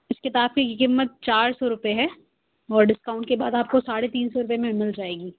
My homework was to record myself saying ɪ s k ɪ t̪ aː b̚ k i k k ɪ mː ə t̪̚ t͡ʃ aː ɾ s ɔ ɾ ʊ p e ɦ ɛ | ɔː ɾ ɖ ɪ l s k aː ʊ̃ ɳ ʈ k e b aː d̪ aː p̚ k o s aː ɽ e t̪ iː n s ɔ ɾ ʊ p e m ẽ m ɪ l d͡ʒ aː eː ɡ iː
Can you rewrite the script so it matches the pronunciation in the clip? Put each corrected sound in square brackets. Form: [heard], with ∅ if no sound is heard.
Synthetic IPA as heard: ɪ s k ɪ t̪ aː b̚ k i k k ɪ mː ə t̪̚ t͡ʃ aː ɾ s ɔ ɾ ʊ p e ɦ ɛ | ɔː ɾ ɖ ɪ [∅] s k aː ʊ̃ ɳ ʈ k e b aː d̪ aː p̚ k o s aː ɽ e t̪ iː n s ɔ ɾ ʊ p e m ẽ m ɪ l d͡ʒ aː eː ɡ iː